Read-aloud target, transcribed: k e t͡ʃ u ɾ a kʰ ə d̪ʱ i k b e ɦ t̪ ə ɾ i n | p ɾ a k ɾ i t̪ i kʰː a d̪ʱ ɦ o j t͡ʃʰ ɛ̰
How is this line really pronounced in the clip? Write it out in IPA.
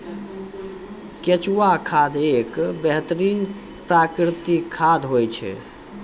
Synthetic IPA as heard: k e t͡ʃ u a kʰ a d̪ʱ e k b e ɦ t̪ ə ɾ i n | p ɾ a k ɾ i t̪ i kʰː a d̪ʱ ɦ o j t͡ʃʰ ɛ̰